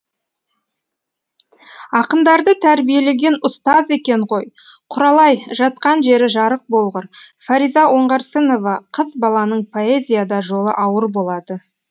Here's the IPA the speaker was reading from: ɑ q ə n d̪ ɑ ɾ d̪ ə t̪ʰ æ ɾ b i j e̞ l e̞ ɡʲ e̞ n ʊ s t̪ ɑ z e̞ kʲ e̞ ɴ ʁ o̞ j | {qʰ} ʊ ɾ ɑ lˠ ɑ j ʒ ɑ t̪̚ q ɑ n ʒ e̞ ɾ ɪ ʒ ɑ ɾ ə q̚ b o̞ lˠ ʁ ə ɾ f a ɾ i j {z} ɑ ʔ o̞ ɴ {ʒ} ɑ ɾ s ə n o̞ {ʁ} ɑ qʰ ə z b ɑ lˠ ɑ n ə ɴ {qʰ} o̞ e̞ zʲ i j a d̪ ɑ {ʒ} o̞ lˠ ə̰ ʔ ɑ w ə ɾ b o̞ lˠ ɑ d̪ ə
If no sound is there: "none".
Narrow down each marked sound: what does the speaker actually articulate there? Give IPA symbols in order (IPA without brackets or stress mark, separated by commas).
qʰ, z, ʁ, v, pʰ, ʒ